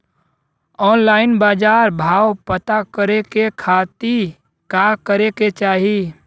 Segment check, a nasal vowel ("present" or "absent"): absent